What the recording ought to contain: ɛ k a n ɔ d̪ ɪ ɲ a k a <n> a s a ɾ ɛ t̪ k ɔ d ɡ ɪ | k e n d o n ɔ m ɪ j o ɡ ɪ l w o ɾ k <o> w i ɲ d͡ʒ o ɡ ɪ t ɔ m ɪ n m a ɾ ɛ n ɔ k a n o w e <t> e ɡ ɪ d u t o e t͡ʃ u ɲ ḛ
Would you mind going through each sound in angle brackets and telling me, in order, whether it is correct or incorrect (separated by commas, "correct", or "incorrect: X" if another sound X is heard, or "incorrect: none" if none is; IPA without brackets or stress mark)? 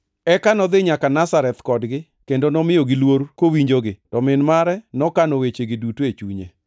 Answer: correct, correct, incorrect: t͡ʃ